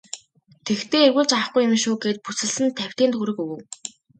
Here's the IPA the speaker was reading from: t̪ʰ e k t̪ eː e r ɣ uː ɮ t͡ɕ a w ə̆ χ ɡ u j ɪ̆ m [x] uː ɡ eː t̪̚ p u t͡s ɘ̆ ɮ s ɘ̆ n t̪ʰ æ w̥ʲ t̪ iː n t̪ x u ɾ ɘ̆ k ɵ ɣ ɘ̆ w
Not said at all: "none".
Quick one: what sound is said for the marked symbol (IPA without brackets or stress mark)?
ʃ